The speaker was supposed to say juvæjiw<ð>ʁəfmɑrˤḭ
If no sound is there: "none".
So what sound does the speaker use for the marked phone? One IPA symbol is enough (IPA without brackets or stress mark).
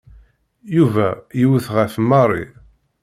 θ